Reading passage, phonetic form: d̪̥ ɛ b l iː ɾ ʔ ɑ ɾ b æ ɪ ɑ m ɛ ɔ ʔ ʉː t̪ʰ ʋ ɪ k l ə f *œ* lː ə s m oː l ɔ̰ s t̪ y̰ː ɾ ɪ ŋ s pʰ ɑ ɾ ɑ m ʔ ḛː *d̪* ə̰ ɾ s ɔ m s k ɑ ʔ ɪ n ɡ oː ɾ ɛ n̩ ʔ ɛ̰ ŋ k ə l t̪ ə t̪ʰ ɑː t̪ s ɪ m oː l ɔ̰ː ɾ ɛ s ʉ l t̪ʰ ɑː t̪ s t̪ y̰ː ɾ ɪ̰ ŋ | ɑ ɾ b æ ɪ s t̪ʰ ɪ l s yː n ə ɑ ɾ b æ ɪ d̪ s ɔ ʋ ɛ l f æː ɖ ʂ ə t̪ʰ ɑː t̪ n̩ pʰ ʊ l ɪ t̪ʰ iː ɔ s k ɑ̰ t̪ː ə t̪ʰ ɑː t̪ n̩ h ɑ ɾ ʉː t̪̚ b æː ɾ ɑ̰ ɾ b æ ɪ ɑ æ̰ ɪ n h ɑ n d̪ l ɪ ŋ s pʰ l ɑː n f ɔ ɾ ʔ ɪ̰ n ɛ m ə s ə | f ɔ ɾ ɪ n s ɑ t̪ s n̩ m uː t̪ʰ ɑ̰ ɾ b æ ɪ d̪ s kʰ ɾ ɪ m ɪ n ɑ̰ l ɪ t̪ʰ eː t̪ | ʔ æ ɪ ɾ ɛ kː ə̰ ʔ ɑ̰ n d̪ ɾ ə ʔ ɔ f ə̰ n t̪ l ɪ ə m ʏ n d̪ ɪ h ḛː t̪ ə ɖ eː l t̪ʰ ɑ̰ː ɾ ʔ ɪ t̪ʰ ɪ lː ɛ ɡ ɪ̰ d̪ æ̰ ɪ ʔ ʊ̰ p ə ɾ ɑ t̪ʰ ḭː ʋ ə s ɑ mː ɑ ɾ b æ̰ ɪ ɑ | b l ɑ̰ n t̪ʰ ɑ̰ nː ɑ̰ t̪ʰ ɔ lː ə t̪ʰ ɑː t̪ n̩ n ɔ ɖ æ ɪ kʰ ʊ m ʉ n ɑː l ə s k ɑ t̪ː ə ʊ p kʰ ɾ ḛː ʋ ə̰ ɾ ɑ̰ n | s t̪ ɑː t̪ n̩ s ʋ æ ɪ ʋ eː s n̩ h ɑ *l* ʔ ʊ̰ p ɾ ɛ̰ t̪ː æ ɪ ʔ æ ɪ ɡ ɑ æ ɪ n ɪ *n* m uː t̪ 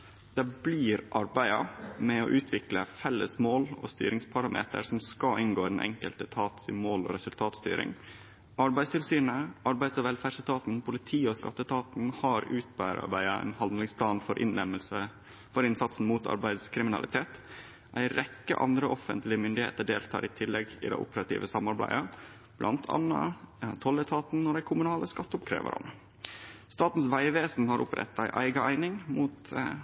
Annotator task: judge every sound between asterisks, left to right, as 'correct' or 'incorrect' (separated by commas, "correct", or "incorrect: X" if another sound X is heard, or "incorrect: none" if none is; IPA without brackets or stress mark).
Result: incorrect: ɛ, incorrect: t̪, incorrect: ɾ, incorrect: ŋ